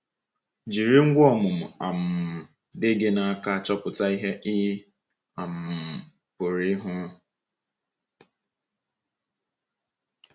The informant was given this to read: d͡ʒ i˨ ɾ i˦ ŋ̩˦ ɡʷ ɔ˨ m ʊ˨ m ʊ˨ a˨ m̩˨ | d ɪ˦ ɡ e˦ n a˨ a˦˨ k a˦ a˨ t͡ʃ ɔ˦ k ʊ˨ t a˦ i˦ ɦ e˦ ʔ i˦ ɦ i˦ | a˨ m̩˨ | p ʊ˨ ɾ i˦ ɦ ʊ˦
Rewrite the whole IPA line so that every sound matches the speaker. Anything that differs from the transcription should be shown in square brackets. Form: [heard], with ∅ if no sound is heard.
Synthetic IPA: d͡ʒ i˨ ɾ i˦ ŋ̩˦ ɡʷ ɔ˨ m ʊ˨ m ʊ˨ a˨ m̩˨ | d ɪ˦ ɡ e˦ n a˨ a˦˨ k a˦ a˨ t͡ʃ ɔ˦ [p] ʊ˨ t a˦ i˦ ɦ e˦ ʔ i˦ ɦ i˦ | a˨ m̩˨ | p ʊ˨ ɾ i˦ ɦ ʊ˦